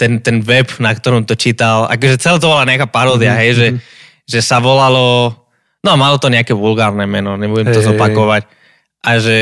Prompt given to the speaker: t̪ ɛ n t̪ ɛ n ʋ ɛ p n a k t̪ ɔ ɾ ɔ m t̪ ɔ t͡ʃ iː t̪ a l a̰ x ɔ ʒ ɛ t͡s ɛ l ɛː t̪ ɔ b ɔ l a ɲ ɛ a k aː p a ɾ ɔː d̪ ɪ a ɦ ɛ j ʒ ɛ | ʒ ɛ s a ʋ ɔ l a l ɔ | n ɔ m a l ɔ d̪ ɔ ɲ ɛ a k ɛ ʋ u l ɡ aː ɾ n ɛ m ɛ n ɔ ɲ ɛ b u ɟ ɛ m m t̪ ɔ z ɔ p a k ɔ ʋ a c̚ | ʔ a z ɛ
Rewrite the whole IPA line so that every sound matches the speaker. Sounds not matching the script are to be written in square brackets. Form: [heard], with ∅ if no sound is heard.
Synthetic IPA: t̪ ɛ n t̪ ɛ n ʋ ɛ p n a k t̪ ɔ ɾ ɔ m t̪ ɔ t͡ʃ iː t̪ a l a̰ [k] ɔ ʒ ɛ t͡s ɛ l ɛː t̪ ɔ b ɔ l a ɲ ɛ a k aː p a ɾ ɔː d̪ ɪ a ɦ ɛ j ʒ ɛ | ʒ ɛ s a ʋ ɔ l a l ɔ | n ɔ m a l ɔ [t̪] ɔ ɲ ɛ a k ɛ ʋ u l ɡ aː ɾ n ɛ m ɛ n ɔ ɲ ɛ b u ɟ ɛ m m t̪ ɔ z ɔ p a k ɔ ʋ a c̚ | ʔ a [ʒ] ɛ